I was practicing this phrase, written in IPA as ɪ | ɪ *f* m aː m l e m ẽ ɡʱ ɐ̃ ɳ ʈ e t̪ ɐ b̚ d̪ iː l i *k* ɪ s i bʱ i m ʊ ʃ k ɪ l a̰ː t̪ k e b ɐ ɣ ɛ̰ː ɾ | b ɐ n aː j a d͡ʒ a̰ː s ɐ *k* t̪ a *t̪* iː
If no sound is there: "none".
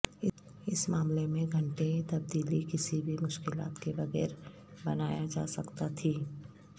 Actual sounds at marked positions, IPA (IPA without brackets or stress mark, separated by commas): s, k, k, t̪ʰ